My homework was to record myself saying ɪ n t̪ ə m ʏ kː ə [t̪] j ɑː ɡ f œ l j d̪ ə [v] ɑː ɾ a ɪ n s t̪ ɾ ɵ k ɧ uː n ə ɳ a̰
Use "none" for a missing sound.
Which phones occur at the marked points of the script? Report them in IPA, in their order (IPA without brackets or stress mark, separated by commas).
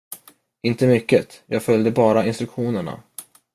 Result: t̪, b